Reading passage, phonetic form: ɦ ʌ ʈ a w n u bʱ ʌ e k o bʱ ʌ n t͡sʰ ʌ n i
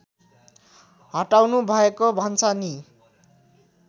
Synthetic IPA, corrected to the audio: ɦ ʌ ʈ a w n u bʱ ʌ e k o bʱ ʌ n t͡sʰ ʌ n i